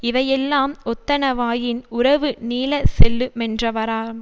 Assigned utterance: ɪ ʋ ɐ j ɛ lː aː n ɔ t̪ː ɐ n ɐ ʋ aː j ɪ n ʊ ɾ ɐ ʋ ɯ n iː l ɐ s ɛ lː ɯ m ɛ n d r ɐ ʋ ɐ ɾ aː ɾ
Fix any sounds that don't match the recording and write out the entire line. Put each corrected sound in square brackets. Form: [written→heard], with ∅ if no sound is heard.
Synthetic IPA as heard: ɪ ʋ ɐ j ɛ lː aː [n→m] ɔ t̪ː ɐ n ɐ ʋ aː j ɪ n ʊ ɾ ɐ ʋ ɯ n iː l ɐ s ɛ lː ɯ m ɛ n d r ɐ ʋ ɐ ɾ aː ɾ